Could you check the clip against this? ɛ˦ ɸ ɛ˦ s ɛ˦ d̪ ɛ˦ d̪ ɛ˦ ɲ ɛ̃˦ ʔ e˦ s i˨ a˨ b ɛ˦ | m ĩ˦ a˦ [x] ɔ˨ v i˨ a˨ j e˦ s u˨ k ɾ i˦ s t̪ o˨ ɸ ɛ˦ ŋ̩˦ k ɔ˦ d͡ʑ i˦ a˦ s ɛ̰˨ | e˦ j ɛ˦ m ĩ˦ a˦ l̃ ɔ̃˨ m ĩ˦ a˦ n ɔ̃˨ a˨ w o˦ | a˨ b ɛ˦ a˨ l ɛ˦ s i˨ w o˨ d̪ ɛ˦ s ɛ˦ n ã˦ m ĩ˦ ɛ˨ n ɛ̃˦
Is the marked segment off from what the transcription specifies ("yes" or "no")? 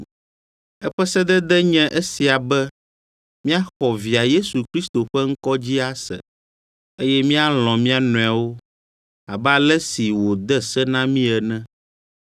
no